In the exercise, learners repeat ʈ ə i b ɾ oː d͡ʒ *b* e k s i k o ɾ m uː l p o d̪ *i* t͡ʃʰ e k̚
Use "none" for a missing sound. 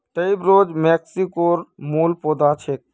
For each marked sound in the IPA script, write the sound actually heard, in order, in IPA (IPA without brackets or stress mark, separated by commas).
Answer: m, a